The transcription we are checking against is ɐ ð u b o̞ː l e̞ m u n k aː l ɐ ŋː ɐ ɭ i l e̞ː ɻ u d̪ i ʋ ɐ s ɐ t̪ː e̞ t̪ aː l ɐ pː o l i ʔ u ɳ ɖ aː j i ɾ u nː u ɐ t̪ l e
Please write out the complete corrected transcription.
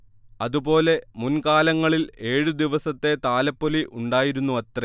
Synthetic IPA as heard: ɐ ð u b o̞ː l e̞ m u n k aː l ɐ ŋː ɐ ɭ i l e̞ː ɻ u d̪ i ʋ ɐ s ɐ t̪ː e̞ t̪ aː l ɐ pː o l i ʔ u ɳ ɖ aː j i ɾ u nː u ɐ t̪ r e